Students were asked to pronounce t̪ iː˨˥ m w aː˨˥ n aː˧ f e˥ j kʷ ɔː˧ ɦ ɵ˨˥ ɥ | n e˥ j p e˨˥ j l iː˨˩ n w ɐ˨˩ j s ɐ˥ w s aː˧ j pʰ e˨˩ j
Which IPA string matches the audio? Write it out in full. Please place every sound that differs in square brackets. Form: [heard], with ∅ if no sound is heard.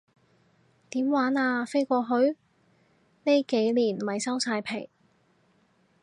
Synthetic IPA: t̪ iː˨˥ m w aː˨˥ n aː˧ f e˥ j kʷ ɔː˧ ɦ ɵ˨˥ ɥ | n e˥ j [k] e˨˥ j l iː˨˩ n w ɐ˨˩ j s ɐ˥ w s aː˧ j pʰ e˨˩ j